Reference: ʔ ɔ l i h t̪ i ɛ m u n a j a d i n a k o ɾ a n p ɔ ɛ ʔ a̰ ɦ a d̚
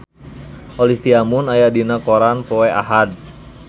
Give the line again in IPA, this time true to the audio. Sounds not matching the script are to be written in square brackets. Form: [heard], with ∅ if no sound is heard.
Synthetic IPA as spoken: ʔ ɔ l i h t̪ i [a] m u n a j a d i n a k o ɾ a n p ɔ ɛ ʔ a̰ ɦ a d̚